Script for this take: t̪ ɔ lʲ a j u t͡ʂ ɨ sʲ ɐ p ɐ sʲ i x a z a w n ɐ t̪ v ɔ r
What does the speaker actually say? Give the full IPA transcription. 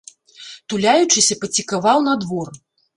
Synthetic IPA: t̪ u lʲ a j u t͡ʂ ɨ sʲ ɐ p ɐ t͡sʲ i k a v a w n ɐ d̪ v ɔ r